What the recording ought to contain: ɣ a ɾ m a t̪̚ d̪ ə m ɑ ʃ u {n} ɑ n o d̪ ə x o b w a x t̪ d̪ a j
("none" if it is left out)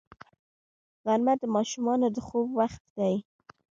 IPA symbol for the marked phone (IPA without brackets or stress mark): m